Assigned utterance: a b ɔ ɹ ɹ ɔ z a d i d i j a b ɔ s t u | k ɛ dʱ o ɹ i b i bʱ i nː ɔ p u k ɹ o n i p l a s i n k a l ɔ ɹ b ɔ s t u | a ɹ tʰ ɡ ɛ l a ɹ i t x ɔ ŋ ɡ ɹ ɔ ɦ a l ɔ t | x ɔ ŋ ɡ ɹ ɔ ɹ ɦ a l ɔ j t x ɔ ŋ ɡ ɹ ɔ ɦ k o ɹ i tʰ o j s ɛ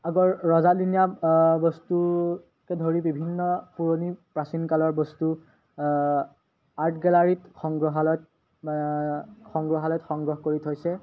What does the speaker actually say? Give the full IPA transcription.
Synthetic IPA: a ɡ ɔ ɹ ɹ ɔ z a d i n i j a b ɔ s t u | k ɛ dʱ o ɹ i b i bʱ i nː ɔ p u ɹ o n i p ɹ a s i n k a l ɔ ɹ b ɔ s t u | a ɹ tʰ ɡ ɛ l a ɹ i t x ɔ ŋ ɡ ɹ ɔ ɦ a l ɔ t | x ɔ ŋ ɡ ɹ ɔ ɦ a l ɔ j t x ɔ ŋ ɡ ɹ ɔ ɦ k o ɹ i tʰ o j s ɛ